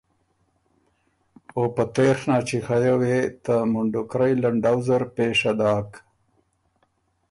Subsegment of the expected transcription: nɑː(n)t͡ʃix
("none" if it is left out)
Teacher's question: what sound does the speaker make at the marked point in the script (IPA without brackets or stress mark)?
none